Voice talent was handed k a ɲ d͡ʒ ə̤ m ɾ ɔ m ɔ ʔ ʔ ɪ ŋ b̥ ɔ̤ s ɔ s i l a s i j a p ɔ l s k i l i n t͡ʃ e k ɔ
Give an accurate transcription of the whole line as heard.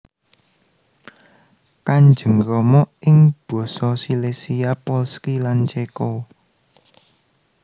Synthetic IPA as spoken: k a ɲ d͡ʒ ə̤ ŋ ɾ ɔ m ɔ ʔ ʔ ɪ ŋ b̥ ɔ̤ s ɔ s i l e s i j a p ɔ l s k i l a n t͡ʃ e k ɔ